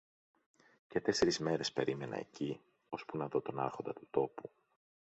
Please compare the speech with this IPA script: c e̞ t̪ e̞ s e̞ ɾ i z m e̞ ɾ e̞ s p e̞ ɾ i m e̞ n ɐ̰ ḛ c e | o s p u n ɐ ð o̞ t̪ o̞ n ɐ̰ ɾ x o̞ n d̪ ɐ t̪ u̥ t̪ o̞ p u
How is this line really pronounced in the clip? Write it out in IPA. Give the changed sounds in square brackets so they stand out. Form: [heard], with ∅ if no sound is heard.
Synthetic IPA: c e̞ t̪ e̞ s e̞ ɾ i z m e̞ ɾ e̞ s p e̞ ɾ i m e̞ n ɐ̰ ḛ c [i] | o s p u n ɐ ð o̞ t̪ o̞ n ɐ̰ ɾ x o̞ n d̪ ɐ t̪ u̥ t̪ o̞ p u